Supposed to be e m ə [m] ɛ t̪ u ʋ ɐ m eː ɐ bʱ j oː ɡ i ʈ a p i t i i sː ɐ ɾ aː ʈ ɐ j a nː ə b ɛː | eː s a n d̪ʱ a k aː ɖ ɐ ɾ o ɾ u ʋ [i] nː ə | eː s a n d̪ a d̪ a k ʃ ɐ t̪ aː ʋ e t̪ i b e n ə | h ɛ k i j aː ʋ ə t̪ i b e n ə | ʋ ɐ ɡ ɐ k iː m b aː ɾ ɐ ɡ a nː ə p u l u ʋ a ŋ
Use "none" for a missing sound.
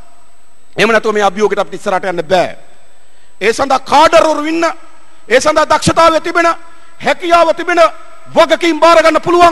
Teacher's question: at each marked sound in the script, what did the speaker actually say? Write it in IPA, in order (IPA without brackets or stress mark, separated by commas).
n, i